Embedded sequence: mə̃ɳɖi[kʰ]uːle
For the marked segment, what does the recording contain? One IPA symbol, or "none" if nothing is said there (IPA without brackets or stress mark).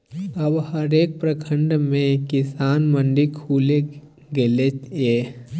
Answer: kʰ